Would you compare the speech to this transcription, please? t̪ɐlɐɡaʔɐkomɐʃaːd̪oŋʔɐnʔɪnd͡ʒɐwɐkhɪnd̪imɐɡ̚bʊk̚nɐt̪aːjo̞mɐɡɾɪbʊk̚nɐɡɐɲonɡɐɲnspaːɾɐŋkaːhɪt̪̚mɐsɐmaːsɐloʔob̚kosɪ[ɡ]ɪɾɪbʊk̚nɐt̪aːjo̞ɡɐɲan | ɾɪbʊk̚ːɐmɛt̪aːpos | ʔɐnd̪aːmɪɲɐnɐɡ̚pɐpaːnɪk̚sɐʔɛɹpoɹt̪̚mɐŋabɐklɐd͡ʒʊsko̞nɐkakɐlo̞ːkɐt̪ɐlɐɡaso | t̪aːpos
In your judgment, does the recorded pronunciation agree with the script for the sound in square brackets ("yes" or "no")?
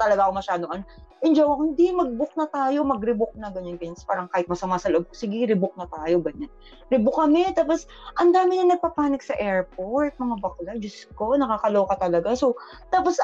yes